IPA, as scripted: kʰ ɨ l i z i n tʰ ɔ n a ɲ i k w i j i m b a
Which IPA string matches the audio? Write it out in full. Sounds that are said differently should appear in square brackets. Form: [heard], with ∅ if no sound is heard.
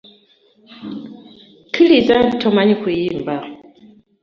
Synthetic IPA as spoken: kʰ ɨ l i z [a] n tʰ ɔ [m] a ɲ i k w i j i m b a